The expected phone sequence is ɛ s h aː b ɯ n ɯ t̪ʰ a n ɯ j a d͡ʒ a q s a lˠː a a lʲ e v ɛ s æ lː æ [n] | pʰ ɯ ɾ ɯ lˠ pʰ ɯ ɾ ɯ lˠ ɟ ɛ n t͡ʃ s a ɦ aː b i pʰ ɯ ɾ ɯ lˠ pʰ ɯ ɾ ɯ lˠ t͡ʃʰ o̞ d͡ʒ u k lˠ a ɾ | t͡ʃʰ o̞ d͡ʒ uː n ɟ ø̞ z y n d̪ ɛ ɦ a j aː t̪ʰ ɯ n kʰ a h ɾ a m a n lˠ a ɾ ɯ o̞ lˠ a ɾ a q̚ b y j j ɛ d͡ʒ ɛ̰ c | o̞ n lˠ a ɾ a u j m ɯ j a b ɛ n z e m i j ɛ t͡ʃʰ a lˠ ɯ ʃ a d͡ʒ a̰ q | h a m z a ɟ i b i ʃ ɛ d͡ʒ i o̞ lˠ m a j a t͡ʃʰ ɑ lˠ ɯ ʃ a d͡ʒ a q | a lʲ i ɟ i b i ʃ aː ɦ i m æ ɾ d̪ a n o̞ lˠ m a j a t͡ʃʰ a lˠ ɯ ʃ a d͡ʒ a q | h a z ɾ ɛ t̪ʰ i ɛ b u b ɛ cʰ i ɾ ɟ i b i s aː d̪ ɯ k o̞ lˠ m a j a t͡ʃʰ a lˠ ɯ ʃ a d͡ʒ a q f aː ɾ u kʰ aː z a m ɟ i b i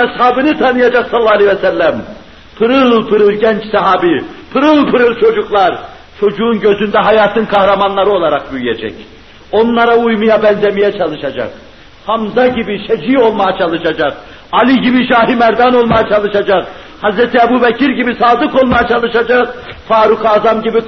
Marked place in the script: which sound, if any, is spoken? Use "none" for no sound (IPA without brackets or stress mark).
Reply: m